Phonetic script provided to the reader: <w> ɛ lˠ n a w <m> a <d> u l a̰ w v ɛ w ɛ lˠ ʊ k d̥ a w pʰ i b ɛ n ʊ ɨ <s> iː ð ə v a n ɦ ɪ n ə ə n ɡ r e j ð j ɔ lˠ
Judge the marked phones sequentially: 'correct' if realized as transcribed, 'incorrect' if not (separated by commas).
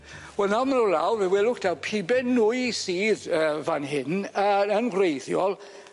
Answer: correct, correct, incorrect, correct